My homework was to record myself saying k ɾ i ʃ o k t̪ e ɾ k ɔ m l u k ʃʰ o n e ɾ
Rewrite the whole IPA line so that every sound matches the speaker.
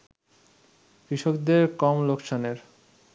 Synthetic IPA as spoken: k ɾ i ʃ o k d̪ e ɾ k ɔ m l o k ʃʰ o n e ɾ

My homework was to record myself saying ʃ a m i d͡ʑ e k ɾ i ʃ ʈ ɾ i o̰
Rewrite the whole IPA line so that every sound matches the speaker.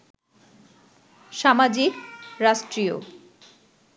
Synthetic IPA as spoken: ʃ a m a d͡ʑ i k ɾ a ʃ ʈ ɾ i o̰

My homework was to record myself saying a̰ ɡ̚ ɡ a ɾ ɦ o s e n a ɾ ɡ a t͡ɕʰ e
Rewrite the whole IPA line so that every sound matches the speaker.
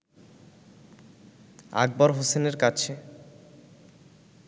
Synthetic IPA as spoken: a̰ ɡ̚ b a ɾ ɦ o s e n e ɾ k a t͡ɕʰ e

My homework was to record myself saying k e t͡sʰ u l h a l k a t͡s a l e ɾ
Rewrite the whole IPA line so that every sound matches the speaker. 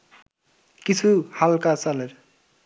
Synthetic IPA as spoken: k i t͡sʰ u h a l k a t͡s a l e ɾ

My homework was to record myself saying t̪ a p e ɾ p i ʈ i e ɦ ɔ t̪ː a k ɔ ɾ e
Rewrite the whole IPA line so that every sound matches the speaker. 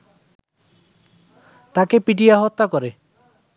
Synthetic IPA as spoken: t̪ a k e p i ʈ i a ɦ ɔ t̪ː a k ɔ ɾ e

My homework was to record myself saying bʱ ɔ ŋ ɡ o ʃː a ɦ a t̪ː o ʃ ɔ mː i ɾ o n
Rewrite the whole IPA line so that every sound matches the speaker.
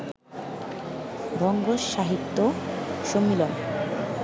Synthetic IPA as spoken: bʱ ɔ ŋ ɡ o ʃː a ɦ i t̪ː o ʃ o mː i l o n

